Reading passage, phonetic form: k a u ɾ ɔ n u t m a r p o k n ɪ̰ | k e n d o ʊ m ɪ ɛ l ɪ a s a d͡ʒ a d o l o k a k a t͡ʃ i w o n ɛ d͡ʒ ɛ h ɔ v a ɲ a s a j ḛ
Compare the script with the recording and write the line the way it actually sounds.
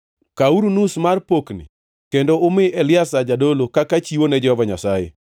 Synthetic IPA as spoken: k a u ɾ u n u s m a r p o k n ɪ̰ | k e n d o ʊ m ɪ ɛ l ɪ a s a d͡ʒ a d o l o k a k a t͡ʃ i w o n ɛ d͡ʒ ɛ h ɔ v a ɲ a s a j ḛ